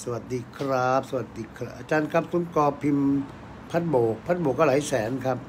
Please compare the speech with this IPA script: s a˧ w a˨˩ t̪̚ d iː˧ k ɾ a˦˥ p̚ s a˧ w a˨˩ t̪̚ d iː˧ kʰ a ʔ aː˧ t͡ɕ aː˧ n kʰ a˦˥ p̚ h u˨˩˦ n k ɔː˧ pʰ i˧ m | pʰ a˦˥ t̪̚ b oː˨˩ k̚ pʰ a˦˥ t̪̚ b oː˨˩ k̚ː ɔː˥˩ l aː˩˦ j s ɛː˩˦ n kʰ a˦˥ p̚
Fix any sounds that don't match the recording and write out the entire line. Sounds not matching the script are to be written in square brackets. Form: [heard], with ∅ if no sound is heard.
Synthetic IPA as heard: s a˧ w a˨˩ t̪̚ d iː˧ [kʰ] ɾ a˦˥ p̚ s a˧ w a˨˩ t̪̚ d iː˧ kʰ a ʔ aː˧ t͡ɕ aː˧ n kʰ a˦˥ p̚ [s] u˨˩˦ n k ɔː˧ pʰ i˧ m | pʰ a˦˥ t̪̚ b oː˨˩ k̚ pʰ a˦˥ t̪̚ b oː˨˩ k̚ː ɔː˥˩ l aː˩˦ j s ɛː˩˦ n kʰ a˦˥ p̚

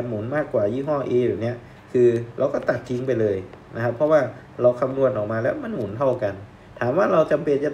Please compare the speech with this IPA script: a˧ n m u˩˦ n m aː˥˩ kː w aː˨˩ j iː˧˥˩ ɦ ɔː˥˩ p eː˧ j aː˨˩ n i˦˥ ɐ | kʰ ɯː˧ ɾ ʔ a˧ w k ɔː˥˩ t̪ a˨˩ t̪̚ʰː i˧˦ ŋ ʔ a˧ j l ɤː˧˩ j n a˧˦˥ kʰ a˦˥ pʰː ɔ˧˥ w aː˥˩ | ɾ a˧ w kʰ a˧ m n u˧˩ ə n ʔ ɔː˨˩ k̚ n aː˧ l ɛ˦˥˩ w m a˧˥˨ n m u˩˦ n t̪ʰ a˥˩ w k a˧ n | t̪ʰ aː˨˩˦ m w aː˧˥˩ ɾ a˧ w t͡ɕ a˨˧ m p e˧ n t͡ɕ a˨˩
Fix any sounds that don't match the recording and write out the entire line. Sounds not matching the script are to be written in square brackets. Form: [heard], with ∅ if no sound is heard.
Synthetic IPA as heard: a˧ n m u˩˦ n m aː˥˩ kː w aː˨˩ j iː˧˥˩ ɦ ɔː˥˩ [ʔ] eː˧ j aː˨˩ n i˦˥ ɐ | kʰ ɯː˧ ɾ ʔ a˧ w k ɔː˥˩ t̪ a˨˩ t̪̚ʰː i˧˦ ŋ [p] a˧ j l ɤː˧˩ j n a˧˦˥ kʰ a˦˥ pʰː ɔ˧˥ w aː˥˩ | ɾ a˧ w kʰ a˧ m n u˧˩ ə n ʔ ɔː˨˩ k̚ [m] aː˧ l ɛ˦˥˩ w m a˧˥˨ n m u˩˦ n t̪ʰ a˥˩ w k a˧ n | t̪ʰ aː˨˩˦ m w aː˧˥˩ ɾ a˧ w t͡ɕ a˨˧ m p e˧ n t͡ɕ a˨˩

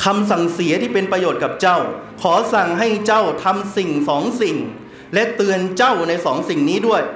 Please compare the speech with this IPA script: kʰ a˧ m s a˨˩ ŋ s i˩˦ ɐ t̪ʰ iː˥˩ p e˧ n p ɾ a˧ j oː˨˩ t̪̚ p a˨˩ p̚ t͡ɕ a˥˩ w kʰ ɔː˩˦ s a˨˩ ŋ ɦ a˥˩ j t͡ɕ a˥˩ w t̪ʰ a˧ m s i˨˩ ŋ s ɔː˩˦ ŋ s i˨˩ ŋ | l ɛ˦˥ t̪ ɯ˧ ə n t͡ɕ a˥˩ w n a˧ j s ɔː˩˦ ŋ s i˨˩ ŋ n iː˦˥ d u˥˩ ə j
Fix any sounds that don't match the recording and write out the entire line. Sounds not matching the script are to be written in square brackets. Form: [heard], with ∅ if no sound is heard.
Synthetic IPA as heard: kʰ a˧ m s a˨˩ ŋ s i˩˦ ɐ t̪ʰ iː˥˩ p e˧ n p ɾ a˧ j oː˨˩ t̪̚ [k] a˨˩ p̚ t͡ɕ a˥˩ w kʰ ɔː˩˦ s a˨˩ ŋ ɦ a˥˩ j t͡ɕ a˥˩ w t̪ʰ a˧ m s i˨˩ ŋ s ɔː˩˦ ŋ s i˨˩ ŋ | l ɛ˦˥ t̪ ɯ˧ ə n t͡ɕ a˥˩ w n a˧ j s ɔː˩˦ ŋ s i˨˩ ŋ n iː˦˥ d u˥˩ ə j

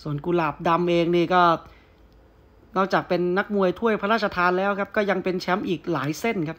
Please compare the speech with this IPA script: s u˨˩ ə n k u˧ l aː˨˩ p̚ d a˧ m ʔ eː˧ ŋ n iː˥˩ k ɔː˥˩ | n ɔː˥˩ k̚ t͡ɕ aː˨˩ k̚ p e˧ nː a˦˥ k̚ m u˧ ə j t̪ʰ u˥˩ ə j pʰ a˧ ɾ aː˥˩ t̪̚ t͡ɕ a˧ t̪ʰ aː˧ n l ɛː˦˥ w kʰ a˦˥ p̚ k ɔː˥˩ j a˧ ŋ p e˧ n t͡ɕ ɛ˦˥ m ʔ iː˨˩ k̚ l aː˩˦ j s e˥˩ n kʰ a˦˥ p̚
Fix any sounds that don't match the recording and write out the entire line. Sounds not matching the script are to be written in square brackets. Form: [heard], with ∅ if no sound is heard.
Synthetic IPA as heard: s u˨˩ ə n k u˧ l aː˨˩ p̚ d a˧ m ʔ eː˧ ŋ n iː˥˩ k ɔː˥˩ | n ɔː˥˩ k̚ t͡ɕ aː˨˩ k̚ p e˧ nː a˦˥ k̚ m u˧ ə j t̪ʰ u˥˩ ə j pʰ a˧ ɾ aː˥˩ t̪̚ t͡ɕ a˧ t̪ʰ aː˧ n l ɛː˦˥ w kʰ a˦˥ p̚ k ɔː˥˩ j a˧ ŋ p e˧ n [t͡ɕʰ] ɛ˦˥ m ʔ iː˨˩ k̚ l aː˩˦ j s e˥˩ n kʰ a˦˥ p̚

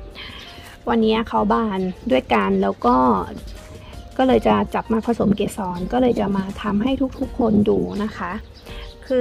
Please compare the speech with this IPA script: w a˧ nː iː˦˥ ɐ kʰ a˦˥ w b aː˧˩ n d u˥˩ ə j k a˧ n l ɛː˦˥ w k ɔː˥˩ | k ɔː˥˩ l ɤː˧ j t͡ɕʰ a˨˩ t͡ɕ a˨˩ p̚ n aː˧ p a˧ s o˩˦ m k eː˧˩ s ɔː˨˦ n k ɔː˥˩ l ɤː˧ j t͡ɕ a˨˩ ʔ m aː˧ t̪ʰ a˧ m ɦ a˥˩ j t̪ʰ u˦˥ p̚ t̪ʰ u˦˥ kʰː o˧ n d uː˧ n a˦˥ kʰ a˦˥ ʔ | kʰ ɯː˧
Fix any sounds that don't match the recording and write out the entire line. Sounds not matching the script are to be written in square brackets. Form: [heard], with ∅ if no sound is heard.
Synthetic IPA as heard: w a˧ nː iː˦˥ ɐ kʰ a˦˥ w b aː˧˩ n d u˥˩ ə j k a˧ n l ɛː˦˥ w k ɔː˥˩ | k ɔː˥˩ l ɤː˧ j [t͡ɕ] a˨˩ t͡ɕ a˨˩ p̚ [m] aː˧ [pʰ] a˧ s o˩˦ m k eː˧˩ s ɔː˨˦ n k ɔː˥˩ l ɤː˧ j t͡ɕ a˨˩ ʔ m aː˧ t̪ʰ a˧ m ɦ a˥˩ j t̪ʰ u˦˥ [k̚] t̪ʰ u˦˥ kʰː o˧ n d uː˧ n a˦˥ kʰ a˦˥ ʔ | kʰ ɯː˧

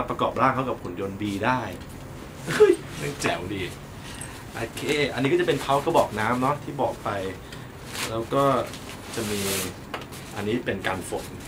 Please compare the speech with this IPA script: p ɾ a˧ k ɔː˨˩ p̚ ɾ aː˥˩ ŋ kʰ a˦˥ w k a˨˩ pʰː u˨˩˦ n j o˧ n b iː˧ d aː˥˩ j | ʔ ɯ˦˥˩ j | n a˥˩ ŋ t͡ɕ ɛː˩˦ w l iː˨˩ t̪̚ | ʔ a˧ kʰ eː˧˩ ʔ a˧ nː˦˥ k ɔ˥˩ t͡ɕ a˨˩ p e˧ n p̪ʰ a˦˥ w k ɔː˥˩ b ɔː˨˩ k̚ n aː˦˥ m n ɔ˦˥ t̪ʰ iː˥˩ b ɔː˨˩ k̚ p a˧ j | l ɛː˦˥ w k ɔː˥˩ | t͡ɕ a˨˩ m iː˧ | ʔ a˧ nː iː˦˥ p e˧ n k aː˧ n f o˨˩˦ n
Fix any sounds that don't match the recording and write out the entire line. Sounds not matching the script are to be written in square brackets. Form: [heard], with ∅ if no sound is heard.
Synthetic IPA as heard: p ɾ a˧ k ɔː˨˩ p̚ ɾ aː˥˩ ŋ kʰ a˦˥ w k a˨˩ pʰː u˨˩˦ n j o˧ n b iː˧ d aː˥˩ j | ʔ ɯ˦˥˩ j | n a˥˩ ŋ t͡ɕ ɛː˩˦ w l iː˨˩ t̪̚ | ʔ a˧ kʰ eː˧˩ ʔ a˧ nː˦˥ k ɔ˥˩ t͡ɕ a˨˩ p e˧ n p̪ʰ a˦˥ w k ɔː˥˩ b ɔː˨˩ k̚ n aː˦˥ m n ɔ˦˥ t̪ʰ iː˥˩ b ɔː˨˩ k̚ p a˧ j | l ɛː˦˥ w k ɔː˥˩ | t͡ɕ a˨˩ m iː˧ | ʔ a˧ nː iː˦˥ p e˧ n k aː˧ n f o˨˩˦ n

